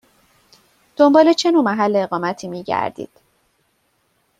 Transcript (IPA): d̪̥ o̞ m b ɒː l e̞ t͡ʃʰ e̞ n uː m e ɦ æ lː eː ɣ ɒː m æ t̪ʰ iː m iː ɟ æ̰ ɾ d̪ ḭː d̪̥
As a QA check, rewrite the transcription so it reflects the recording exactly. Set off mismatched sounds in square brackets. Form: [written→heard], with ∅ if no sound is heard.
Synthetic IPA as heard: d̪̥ o̞ m b ɒː l e̞ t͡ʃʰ e̞ n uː m [e→æ] ɦ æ lː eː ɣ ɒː m æ t̪ʰ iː m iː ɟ æ̰ ɾ d̪ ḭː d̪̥

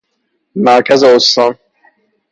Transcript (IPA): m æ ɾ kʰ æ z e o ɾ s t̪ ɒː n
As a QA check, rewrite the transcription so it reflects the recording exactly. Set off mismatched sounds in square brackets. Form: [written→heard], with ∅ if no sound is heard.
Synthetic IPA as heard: m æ ɾ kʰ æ z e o [ɾ→∅] s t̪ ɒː n

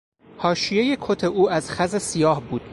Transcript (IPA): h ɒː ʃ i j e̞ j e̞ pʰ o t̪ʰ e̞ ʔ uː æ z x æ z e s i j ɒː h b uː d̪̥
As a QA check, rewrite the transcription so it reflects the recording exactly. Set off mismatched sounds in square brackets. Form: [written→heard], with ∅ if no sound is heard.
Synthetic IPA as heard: h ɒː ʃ i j e̞ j e̞ [pʰ→kʰ] o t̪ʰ e̞ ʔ uː æ z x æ z e s i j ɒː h b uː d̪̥

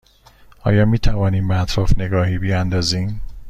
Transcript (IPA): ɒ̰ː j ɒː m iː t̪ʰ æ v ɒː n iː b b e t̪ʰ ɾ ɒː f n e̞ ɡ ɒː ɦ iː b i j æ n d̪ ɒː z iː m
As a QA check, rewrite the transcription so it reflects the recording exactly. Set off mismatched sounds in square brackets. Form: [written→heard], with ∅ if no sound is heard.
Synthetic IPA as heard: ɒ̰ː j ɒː m iː t̪ʰ æ v ɒː n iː [b→m] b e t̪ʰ ɾ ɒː f n e̞ ɡ ɒː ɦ iː b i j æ n d̪ ɒː z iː m

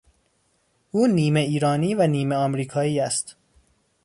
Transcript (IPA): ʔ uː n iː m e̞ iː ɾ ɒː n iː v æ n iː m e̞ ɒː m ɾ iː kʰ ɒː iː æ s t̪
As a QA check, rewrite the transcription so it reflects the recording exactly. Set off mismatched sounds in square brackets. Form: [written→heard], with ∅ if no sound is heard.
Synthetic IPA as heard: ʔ uː n iː m e̞ iː ɾ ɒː n iː v æ n iː m e̞ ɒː m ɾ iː kʰ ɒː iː æ s t̪

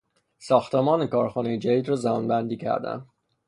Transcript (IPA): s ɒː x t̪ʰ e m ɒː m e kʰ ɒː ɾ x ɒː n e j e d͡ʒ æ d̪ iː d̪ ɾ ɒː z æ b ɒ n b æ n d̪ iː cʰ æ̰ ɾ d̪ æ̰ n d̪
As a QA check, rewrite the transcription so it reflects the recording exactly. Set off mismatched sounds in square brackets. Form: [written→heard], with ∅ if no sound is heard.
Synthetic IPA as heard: s ɒː x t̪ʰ e m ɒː [m→n] e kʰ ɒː ɾ x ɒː n e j e d͡ʒ æ d̪ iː d̪ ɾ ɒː z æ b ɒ n b æ n d̪ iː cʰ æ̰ ɾ d̪ æ̰ n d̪

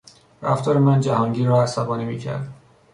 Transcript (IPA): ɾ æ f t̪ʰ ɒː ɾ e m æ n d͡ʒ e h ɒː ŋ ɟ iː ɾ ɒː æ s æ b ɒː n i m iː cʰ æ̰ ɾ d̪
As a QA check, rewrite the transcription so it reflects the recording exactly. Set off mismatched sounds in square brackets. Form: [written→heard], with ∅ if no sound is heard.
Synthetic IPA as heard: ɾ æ f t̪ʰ ɒː ɾ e m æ n d͡ʒ [e→æ] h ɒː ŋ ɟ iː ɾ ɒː æ s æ b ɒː n i m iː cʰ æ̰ ɾ d̪

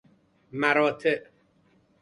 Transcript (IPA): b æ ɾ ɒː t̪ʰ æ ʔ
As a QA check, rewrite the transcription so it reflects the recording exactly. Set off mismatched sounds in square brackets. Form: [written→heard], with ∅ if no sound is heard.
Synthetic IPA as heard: [b→m] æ ɾ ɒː t̪ʰ [æ→e] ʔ

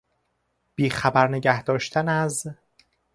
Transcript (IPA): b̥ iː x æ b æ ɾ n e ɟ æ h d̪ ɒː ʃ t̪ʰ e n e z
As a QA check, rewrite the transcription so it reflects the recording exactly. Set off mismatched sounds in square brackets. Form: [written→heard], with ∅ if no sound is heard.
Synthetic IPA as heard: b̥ iː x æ b æ ɾ n e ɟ æ h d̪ ɒː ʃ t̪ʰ [e→æ] n [e→æ] z

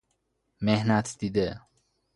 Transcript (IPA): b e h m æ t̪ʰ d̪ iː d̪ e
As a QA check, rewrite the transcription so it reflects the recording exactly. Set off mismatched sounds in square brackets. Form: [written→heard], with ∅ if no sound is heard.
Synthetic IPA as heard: [b→m] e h [m→n] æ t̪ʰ d̪ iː d̪ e

